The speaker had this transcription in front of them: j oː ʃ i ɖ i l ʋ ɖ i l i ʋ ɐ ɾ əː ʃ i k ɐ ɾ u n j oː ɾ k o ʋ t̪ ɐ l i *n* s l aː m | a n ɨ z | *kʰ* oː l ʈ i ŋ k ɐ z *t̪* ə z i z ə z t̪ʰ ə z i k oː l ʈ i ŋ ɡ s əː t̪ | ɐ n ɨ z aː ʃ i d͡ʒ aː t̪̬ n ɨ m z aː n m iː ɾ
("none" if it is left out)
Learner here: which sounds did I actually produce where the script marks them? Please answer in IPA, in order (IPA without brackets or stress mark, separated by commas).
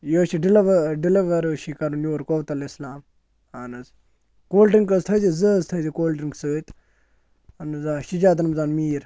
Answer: none, k, t̪ʰ